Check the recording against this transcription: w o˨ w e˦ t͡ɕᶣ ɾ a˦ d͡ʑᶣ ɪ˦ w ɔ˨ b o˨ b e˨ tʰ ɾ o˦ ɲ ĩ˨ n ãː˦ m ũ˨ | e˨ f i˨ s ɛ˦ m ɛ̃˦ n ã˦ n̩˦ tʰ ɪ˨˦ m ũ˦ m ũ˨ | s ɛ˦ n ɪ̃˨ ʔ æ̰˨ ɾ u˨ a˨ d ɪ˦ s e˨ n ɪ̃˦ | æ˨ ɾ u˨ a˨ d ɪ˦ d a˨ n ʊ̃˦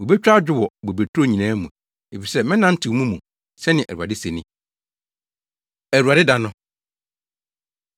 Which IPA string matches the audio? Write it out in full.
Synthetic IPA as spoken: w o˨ b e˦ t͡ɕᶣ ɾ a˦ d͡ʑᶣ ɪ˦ w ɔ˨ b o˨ b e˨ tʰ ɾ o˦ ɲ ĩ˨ n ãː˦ m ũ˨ | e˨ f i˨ s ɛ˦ m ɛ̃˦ n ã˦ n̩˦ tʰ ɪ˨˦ m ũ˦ m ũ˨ | s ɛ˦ n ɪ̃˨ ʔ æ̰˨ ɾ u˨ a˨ d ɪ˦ s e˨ n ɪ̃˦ | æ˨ ɾ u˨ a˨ d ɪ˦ d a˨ n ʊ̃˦

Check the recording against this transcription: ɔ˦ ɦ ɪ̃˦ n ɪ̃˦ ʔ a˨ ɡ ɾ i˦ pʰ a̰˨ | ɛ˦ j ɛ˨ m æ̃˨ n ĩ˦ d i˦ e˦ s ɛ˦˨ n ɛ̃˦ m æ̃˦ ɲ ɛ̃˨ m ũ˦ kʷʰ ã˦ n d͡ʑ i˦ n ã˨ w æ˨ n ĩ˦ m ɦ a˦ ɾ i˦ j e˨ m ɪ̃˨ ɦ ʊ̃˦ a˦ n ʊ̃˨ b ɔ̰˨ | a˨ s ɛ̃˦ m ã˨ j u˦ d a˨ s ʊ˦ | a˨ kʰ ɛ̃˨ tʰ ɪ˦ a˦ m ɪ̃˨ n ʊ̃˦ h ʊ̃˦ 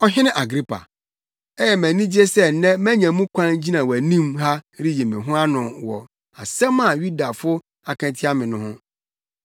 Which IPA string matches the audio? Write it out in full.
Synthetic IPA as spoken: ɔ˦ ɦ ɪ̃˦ n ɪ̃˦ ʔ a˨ ɡ ɾ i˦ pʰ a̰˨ | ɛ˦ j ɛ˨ m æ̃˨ n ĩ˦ d͡ʑ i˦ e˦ s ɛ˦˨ n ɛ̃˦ m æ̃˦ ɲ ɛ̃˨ m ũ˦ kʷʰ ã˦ n d͡ʑ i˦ n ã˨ w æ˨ n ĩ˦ m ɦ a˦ ɾ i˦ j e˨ m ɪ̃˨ ɦ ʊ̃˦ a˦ n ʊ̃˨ w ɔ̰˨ | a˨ s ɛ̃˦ m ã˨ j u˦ d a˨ f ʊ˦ | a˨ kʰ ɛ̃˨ tʰ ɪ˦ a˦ m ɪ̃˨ n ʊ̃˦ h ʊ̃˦

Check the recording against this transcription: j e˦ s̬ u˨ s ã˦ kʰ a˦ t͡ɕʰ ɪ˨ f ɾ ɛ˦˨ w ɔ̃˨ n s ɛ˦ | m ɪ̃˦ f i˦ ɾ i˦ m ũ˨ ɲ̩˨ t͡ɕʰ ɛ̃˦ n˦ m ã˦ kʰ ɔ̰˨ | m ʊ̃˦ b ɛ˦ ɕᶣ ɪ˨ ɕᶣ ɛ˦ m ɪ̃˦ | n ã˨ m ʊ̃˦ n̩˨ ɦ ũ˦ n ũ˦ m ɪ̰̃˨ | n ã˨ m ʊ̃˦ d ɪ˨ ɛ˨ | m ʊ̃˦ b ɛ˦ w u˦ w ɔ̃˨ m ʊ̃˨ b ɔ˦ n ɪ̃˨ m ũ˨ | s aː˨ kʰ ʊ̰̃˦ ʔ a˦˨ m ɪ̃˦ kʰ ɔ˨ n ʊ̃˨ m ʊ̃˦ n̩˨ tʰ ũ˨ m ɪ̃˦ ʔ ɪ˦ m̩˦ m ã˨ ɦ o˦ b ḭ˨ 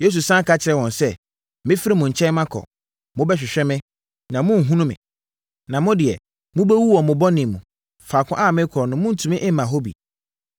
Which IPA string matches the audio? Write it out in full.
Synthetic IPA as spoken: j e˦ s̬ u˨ s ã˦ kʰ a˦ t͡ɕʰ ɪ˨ ɾ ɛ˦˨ w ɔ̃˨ n s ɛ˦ | m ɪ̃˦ f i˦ ɾ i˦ m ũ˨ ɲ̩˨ t͡ɕʰ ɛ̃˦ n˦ m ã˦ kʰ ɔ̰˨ | m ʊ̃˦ b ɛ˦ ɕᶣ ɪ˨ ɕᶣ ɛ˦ m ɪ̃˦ | n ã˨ m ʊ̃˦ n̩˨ ɦ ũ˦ n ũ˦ m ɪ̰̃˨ | n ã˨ m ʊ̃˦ d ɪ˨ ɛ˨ | m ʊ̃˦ b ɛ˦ w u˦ w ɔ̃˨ m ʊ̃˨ b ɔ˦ n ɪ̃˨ m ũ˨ | f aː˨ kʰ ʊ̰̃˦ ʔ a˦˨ m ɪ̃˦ kʰ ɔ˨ n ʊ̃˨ m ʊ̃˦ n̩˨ tʰ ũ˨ m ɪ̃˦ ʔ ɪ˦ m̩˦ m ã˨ ɦ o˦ b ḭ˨

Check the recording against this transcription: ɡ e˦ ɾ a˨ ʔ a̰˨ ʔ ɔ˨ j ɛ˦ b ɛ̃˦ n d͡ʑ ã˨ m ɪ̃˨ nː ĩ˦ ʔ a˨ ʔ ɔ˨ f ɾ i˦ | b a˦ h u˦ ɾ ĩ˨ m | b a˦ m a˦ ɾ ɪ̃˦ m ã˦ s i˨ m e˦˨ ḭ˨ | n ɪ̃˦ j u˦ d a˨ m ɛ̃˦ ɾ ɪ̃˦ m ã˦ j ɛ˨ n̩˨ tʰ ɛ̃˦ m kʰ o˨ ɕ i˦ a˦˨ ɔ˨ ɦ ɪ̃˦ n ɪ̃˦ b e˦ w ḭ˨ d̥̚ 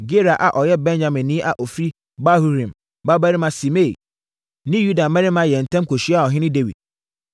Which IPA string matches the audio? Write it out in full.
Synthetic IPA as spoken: ɡ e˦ ɾ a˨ ʔ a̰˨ ʔ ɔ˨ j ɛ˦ b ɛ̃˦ n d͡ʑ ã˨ m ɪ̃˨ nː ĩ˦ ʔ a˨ ʔ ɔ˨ f ɾ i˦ | b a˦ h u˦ ɾ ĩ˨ m | b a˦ b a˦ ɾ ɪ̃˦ m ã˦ s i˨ m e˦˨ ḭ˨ | n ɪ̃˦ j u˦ d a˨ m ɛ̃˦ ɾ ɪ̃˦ m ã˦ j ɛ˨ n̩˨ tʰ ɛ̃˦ m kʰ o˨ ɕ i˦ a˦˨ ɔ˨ ɦ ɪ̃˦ n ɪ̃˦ d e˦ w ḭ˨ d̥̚

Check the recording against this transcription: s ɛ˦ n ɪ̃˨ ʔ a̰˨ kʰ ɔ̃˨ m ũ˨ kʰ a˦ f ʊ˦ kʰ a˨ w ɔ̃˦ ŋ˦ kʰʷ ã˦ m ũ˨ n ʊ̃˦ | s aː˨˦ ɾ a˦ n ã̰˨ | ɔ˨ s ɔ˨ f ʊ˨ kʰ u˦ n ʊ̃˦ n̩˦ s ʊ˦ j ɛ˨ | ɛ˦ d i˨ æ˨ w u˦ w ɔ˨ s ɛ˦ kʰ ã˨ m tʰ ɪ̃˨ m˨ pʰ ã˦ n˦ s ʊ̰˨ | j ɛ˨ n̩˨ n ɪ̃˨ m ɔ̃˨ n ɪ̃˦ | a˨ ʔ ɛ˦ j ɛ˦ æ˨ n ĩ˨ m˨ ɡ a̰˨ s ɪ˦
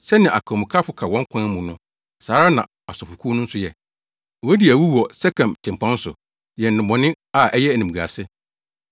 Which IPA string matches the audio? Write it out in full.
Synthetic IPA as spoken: s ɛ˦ n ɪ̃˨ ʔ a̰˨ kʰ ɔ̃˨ m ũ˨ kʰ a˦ f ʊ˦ kʰ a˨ w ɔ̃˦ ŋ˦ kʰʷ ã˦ m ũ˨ n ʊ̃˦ | s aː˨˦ ɾ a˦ n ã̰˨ | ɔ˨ s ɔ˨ f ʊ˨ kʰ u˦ n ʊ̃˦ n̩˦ s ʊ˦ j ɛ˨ | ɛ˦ d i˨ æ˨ w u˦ w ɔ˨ s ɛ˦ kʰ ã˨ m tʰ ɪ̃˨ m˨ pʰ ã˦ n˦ s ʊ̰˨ | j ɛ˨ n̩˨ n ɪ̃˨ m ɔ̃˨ n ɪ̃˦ | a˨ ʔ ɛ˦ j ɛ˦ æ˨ n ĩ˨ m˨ ɡ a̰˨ s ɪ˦

